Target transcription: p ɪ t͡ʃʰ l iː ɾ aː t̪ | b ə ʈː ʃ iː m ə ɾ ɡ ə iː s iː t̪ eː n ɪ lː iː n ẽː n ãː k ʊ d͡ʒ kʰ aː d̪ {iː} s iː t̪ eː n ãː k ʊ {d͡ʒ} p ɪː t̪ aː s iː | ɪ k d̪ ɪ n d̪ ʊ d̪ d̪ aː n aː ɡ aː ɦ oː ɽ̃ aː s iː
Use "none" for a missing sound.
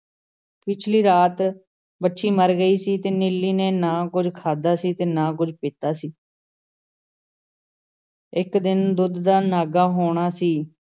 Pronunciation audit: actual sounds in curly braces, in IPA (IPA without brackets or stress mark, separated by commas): aː, d͡ʒ